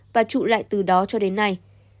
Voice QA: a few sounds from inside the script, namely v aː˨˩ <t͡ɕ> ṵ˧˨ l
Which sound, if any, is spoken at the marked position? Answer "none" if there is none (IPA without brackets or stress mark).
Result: t͡ɕ